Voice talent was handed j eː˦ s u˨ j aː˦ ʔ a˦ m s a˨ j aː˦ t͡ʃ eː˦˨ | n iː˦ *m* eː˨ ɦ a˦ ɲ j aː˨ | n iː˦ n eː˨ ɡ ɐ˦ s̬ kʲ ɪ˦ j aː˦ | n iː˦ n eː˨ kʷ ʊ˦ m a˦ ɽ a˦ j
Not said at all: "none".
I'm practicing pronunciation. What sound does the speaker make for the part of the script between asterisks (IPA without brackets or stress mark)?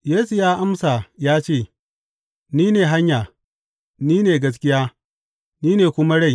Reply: n